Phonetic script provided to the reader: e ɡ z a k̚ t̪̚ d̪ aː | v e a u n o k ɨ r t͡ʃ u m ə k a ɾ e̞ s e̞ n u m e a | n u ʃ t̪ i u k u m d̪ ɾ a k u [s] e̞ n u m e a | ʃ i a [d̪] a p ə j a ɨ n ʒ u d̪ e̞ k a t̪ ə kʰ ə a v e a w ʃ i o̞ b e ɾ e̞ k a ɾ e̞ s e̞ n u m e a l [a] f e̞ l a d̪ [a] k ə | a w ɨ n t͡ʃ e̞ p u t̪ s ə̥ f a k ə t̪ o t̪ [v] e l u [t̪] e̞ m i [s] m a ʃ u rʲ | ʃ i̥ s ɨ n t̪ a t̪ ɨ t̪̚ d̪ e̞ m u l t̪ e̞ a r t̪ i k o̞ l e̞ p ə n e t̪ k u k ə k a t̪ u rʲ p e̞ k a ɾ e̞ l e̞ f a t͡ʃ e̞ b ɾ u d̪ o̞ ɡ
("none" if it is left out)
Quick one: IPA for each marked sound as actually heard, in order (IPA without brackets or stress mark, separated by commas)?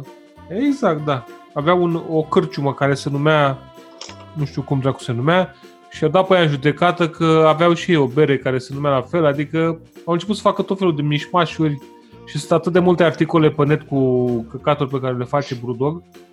s, d̪, a, i, f, d̪, ʃ